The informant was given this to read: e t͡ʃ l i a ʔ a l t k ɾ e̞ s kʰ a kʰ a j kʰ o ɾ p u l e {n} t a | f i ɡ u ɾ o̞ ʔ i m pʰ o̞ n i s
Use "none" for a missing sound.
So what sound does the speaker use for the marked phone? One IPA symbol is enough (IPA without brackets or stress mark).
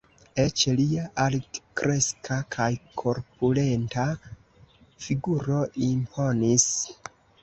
n